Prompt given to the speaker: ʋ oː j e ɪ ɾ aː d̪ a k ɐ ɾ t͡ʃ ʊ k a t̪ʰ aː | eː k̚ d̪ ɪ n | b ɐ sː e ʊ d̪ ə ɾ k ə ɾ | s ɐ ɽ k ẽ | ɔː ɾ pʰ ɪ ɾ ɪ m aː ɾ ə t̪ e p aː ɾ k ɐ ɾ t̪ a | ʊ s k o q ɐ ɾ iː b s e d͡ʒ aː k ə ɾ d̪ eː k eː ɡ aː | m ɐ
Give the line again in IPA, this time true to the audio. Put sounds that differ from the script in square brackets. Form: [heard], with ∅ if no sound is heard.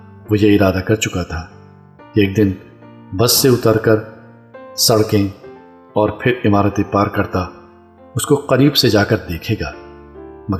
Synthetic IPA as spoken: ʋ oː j e ɪ ɾ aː d̪ a k ɐ ɾ t͡ʃ ʊ k a t̪ʰ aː | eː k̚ d̪ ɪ n | b ɐ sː e ʊ [t̪] ə ɾ k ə ɾ | s ɐ ɽ k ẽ | ɔː ɾ pʰ ɪ ɾ ɪ m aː ɾ ə t̪ e p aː ɾ k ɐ ɾ t̪ a | ʊ s k o q ɐ ɾ iː b s e d͡ʒ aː k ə ɾ d̪ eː [kʰ] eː ɡ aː | m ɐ